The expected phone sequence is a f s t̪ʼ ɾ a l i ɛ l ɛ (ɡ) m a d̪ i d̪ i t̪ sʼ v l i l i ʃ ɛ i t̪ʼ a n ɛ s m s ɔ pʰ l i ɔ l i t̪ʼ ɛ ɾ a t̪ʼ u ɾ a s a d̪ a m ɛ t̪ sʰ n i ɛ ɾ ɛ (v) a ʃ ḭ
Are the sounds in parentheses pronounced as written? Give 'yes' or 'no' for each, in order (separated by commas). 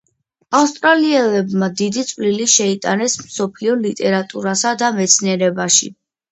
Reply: no, no